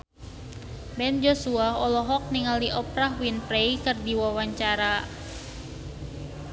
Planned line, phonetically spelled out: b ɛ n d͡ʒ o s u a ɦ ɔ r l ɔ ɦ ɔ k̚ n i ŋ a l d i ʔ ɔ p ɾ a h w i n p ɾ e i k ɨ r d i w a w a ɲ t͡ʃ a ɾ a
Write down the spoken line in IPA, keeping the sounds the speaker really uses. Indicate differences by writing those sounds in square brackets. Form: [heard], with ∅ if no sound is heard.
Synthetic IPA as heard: b ɛ n d͡ʒ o s u a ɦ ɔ [∅] l ɔ ɦ ɔ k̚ n i ŋ a l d i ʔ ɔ p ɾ a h w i n p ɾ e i k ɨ r d i w a w a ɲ t͡ʃ a ɾ a